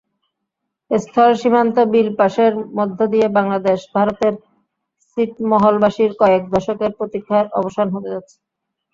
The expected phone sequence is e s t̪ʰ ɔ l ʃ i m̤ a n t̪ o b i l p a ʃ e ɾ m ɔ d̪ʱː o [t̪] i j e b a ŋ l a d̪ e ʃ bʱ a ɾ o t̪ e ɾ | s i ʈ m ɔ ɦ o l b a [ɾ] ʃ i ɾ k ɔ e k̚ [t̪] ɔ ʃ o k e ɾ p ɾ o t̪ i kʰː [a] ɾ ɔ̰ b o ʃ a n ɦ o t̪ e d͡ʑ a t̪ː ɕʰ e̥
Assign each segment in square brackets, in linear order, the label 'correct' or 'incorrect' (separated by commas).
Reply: incorrect, incorrect, incorrect, correct